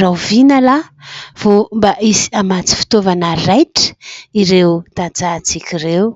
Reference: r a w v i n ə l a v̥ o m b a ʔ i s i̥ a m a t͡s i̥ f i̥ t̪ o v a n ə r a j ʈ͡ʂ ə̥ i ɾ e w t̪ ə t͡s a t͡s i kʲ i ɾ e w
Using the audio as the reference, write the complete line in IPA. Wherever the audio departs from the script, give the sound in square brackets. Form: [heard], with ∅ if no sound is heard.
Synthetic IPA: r a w v i n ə l a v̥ o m b a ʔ i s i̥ a m a t͡s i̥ f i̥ t̪ o v a n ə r a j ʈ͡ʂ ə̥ i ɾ e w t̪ [a] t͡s a t͡s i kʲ i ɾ e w